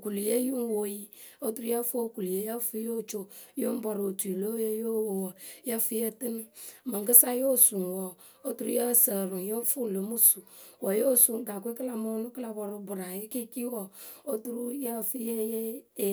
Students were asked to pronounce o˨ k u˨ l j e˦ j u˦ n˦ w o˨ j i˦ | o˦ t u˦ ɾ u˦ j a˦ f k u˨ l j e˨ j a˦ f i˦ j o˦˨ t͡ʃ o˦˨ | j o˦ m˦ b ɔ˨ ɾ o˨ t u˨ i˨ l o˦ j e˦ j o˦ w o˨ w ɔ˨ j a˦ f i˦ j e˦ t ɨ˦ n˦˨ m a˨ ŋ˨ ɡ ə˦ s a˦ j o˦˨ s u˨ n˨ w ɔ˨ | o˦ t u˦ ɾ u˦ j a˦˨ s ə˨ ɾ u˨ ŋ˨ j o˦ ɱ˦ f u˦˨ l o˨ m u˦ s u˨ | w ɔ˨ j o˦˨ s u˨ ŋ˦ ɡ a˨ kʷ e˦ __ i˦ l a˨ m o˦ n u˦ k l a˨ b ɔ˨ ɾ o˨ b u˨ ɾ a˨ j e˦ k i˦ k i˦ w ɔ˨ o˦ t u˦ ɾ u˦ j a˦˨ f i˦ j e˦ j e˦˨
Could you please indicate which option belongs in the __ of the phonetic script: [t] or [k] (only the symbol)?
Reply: k